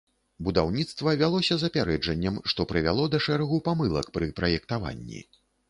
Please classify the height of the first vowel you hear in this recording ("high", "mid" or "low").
high